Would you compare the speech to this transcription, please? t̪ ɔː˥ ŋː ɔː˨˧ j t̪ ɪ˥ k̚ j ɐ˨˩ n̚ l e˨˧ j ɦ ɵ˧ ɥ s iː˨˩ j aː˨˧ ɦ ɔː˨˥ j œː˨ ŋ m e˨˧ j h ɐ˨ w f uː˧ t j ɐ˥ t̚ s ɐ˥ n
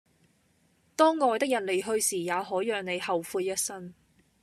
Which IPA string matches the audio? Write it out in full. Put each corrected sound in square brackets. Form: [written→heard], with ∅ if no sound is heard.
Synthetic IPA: t̪ ɔː˥ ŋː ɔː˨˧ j t̪ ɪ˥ k̚ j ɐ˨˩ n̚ l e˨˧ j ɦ ɵ˧ ɥ s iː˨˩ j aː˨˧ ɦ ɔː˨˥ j œː˨ ŋ [m→n] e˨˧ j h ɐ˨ w f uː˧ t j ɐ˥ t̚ s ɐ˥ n